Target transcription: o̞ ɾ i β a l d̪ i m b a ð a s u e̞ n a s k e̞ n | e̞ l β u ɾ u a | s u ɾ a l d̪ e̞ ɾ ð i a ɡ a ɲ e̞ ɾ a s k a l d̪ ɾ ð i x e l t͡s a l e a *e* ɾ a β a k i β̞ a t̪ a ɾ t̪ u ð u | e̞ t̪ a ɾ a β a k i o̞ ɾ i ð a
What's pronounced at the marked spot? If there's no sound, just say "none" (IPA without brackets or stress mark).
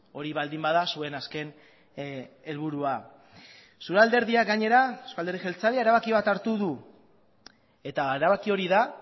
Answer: e